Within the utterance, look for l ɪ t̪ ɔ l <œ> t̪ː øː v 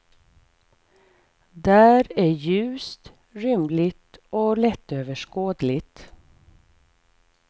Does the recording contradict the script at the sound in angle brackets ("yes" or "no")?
yes